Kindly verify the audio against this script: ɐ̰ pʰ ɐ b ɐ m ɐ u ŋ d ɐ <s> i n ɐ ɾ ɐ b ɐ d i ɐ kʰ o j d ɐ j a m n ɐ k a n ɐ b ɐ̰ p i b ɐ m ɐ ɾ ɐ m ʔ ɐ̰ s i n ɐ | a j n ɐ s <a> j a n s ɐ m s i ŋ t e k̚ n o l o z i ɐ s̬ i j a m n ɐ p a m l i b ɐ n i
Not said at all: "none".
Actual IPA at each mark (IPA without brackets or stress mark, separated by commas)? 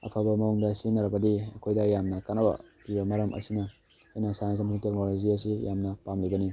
s, a